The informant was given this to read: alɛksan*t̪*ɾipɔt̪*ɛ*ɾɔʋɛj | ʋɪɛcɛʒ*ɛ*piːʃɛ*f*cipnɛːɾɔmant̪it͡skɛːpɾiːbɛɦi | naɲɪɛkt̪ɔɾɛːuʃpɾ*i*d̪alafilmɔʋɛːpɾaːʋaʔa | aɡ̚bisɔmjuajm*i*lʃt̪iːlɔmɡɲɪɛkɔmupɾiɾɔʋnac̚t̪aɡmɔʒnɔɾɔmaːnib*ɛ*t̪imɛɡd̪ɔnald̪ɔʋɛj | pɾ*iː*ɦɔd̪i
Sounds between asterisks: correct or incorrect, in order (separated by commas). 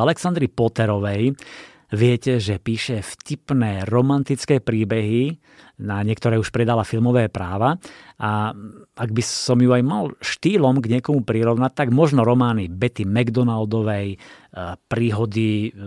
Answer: incorrect, correct, correct, correct, incorrect, incorrect, correct, correct